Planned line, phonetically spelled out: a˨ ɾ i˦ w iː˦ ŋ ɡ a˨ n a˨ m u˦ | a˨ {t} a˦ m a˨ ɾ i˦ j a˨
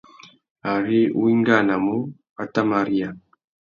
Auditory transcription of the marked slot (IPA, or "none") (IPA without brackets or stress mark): t